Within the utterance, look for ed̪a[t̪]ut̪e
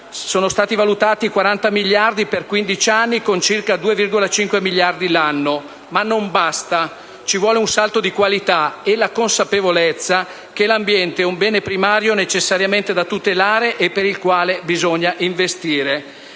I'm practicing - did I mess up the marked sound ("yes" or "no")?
no